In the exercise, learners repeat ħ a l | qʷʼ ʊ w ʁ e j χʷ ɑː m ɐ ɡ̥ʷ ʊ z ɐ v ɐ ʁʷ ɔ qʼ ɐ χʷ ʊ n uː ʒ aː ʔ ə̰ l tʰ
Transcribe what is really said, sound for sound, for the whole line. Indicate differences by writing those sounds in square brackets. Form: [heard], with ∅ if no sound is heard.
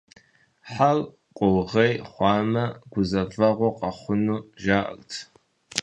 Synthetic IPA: ħ a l | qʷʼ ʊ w ʁ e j χʷ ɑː m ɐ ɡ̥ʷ ʊ z ɐ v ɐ ʁʷ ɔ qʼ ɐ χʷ ʊ n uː ʒ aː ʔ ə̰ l tʰ